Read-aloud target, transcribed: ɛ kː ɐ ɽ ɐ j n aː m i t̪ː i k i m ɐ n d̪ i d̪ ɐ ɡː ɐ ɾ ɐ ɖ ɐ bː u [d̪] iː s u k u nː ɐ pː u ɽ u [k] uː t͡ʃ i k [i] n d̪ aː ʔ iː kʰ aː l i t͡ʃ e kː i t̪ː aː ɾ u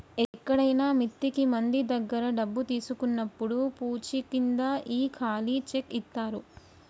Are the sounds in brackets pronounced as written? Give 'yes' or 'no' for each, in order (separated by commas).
no, no, yes